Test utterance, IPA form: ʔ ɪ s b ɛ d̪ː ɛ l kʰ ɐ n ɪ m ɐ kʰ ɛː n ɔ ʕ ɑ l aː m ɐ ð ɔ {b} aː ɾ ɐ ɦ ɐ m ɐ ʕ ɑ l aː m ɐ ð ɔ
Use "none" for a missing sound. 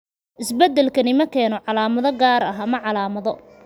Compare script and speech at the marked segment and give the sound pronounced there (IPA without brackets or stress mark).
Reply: ɡ